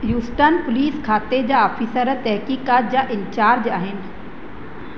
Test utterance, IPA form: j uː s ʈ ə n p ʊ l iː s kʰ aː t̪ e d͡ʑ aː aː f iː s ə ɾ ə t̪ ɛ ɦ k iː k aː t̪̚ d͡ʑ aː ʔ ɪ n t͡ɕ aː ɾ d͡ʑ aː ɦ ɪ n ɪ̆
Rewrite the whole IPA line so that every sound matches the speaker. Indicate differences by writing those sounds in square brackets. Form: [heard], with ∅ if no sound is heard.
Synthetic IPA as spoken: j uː s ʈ ə n p ʊ l iː s kʰ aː t̪ e d͡ʑ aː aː f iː s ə ɾ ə t̪ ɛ ɦ k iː k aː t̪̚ d͡ʑ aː ʔ ɪ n t͡ɕ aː ɾ d͡ʑ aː ɦ ɪ n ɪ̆